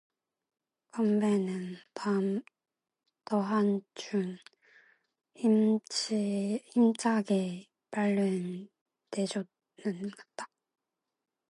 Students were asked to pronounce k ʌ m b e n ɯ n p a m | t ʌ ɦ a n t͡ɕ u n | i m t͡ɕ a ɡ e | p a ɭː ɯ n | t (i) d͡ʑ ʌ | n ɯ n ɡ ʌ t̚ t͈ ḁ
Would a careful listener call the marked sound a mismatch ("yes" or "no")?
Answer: yes